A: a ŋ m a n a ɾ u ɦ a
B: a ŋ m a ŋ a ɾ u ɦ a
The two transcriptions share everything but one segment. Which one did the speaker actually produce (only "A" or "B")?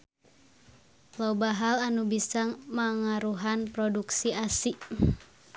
B